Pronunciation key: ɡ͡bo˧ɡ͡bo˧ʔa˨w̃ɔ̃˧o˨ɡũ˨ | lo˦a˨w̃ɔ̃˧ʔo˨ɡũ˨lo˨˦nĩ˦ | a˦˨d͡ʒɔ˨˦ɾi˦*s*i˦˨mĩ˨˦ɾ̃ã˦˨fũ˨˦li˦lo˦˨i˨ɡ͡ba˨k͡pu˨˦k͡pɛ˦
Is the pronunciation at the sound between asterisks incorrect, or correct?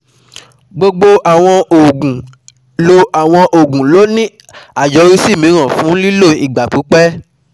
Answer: correct